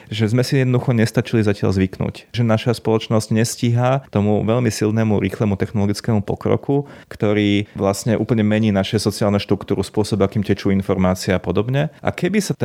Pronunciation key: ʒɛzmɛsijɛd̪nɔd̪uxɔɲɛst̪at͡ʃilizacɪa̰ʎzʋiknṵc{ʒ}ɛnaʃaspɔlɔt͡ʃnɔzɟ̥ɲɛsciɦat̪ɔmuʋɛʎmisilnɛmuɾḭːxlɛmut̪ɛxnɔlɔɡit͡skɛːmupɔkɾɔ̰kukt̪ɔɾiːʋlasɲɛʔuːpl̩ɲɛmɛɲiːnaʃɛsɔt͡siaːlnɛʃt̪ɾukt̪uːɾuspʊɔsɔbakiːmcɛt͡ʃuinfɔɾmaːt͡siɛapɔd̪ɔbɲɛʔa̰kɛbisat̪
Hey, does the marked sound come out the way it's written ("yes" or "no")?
yes